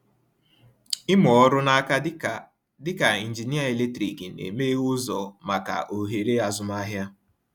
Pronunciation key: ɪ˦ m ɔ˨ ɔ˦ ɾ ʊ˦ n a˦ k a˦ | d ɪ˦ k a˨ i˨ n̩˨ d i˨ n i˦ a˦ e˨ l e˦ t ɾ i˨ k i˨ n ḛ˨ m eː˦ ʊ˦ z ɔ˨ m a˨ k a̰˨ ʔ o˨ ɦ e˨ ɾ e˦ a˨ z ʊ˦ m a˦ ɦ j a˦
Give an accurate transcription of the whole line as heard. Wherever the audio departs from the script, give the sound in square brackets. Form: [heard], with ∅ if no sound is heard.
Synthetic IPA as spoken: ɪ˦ m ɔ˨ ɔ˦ ɾ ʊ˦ n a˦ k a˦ | d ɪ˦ k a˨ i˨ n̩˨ [d͡ʒ] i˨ n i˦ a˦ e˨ l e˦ t ɾ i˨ k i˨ n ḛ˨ m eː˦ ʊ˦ z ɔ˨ m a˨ k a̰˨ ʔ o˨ ɦ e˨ ɾ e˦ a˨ z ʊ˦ m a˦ ɦ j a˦